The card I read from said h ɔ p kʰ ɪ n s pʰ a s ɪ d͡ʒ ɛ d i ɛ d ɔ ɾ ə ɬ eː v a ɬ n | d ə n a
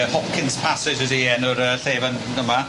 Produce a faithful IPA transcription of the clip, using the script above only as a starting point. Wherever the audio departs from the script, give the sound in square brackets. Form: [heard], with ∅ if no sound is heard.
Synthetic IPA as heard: h ɔ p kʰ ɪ n s pʰ a s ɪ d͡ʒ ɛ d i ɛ [n] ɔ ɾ ə ɬ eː v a [∅] n | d ə [m] a